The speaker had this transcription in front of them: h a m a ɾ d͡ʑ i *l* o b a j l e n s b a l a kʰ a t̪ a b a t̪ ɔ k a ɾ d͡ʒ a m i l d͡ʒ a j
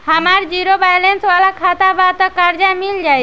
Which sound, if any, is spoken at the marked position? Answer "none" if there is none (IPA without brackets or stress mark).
ɾ